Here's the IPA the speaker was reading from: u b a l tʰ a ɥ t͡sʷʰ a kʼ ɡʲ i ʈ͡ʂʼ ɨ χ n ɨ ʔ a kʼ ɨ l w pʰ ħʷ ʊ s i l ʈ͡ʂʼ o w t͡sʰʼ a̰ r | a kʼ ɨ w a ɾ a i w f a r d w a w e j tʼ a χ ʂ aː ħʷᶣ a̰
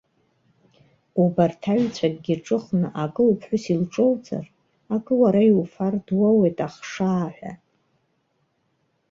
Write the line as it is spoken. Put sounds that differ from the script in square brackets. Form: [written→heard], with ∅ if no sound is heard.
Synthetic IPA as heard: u b a [l→r] tʰ a ɥ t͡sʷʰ a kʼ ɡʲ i ʈ͡ʂʼ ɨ χ n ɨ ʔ a kʼ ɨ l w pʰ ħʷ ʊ s i l ʈ͡ʂʼ o w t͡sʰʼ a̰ r | a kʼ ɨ w a ɾ a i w f a r d w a w e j tʼ a χ ʂ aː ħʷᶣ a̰